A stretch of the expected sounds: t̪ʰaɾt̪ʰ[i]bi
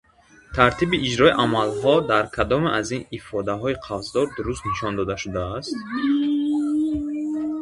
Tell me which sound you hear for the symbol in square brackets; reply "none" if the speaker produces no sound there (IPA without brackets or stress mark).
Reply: i